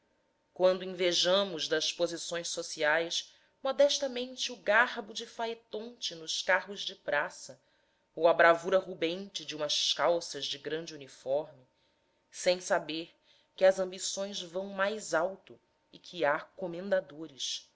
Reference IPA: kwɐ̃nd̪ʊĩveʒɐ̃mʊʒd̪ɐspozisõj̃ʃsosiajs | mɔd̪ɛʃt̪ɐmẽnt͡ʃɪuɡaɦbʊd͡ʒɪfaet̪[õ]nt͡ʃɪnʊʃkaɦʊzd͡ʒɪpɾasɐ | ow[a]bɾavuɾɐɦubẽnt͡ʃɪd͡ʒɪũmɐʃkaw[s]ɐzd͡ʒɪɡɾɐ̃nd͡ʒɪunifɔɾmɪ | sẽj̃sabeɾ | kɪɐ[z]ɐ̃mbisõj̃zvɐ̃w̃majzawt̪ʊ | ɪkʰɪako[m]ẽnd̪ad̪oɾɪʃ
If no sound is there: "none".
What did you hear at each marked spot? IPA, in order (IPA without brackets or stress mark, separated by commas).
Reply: õ, ɐ, s, z, m